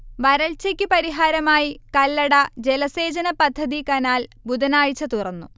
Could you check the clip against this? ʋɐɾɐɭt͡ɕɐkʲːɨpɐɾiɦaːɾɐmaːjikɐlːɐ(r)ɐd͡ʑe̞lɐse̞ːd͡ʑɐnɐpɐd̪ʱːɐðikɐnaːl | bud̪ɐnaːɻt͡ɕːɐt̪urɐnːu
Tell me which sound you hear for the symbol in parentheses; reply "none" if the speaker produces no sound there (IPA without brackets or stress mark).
ɽ